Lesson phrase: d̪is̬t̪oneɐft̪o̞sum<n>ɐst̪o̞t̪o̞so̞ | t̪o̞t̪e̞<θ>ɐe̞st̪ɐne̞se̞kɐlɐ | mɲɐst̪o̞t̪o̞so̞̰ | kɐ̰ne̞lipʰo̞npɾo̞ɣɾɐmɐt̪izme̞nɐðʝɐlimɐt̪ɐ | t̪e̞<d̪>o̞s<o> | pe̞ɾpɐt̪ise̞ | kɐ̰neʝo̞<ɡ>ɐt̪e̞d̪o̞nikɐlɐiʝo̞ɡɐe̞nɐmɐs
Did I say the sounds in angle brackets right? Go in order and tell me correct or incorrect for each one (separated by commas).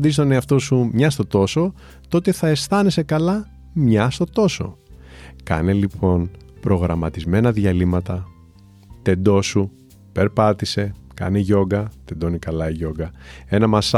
incorrect, correct, correct, incorrect, correct